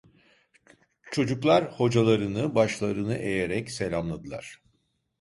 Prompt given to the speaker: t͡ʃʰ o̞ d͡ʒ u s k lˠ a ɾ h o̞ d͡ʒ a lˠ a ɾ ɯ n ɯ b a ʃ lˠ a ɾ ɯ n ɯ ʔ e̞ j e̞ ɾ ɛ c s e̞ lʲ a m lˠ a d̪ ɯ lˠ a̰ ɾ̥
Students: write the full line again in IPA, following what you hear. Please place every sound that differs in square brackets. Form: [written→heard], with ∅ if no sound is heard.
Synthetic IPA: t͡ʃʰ o̞ d͡ʒ u [s→∅] k lˠ a ɾ h o̞ d͡ʒ a lˠ a ɾ ɯ n ɯ b a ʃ lˠ a ɾ ɯ n ɯ ʔ e̞ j e̞ ɾ ɛ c s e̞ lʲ a m lˠ a d̪ ɯ lˠ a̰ ɾ̥